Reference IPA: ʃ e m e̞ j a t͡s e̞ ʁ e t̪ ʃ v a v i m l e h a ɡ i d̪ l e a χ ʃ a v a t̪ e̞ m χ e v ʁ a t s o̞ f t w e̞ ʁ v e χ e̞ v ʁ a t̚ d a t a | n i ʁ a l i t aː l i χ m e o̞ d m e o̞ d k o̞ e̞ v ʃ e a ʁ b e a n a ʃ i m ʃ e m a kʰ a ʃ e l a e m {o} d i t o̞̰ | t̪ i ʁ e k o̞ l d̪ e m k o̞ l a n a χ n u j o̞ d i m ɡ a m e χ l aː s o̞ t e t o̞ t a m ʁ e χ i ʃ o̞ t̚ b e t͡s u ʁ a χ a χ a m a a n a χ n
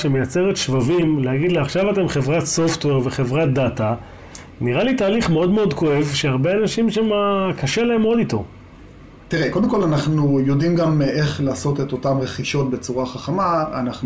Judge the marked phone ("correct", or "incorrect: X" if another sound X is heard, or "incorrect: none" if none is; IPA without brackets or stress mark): correct